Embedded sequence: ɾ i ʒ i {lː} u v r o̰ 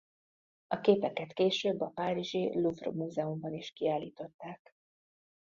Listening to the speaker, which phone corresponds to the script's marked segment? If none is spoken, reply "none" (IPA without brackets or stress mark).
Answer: l